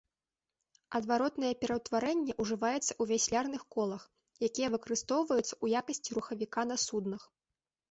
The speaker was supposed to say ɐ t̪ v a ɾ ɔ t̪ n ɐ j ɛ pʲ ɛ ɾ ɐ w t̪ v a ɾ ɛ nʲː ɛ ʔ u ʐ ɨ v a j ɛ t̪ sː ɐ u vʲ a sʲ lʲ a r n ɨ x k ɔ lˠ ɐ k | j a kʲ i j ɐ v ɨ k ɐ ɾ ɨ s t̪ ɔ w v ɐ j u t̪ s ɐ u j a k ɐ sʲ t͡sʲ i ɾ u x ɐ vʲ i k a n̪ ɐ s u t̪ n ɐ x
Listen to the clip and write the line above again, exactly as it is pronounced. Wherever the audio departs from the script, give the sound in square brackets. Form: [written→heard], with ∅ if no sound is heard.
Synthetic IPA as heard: ɐ [t̪→d̪] v a ɾ ɔ t̪ n ɐ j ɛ pʲ ɛ ɾ ɐ w t̪ v a ɾ ɛ nʲː ɛ ʔ u ʐ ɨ v a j ɛ t̪ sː ɐ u vʲ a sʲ lʲ a r n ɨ x k ɔ lˠ ɐ [k→x] | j a kʲ i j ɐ v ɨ k ɐ ɾ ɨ s t̪ ɔ w v ɐ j u t̪ s ɐ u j a k ɐ sʲ t͡sʲ i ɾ u x ɐ vʲ i k a n̪ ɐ s u [t̪→d̪] n ɐ x